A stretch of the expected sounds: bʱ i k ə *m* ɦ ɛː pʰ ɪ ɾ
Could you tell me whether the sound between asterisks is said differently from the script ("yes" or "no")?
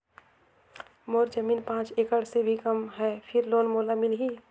no